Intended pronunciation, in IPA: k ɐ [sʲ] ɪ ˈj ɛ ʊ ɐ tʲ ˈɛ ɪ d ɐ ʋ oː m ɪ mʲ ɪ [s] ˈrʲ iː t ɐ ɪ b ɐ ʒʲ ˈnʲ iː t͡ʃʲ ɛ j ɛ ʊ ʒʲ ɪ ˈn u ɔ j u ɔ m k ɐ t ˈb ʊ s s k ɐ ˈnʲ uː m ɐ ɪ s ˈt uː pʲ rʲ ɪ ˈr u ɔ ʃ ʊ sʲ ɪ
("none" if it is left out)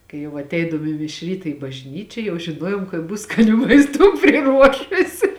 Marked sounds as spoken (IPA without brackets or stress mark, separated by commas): none, ʃ